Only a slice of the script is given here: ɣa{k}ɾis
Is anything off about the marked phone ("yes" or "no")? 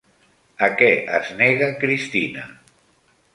no